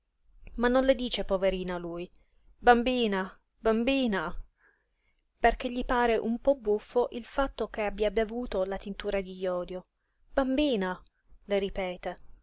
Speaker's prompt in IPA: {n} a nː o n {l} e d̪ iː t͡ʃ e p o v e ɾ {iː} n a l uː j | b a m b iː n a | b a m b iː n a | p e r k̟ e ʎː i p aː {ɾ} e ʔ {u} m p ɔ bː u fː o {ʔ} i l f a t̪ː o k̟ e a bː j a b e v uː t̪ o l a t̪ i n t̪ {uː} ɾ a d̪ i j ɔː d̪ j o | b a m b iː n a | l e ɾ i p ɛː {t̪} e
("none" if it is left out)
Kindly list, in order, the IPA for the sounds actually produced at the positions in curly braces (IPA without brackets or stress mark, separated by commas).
m, l, iː, ɾ, u, ʔ, uː, t̪